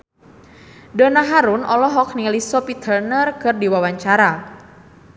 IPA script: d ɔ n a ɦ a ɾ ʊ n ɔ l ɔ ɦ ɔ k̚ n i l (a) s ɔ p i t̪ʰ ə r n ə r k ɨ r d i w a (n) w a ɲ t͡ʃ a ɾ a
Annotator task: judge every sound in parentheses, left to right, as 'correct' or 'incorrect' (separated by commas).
incorrect, incorrect